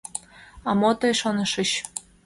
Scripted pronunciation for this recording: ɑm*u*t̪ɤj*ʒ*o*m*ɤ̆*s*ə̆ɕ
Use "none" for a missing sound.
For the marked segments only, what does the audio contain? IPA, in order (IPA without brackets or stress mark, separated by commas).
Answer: o, ʃ, n, ʃ